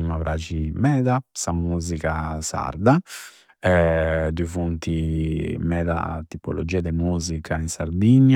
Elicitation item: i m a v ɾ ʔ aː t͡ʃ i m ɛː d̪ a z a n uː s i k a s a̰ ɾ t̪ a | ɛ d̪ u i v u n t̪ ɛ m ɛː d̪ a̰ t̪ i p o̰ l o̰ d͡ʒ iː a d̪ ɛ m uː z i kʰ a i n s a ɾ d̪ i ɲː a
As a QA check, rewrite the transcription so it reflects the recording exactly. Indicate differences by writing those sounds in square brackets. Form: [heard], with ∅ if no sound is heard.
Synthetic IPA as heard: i m a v ɾ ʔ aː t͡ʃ i m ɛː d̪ a [s] a [m] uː [z] i k a s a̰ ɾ [d̪] a | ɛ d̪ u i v u n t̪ [i] m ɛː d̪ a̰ t̪ i p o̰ l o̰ d͡ʒ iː a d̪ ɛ m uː z i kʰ a i n s a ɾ d̪ i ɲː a